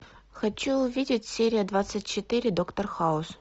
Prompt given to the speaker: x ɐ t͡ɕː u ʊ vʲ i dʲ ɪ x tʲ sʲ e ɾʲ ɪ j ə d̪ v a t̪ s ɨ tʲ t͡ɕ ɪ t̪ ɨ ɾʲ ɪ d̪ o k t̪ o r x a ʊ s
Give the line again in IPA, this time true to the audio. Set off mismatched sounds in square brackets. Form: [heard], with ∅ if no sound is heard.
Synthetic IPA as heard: x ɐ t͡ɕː u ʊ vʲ i dʲ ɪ [∅] tʲ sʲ e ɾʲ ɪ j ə d̪ v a t̪ s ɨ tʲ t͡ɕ ɪ t̪ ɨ ɾʲ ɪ d̪ o k t̪ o r x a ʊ s